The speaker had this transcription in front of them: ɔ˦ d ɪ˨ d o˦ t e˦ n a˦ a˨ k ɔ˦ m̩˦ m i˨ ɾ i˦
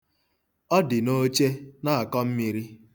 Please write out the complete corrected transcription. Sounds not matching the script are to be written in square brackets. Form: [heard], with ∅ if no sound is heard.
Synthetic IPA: ɔ˦ d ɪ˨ [n] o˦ [t͡ʃ] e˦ n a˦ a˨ k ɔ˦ m̩˦ m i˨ ɾ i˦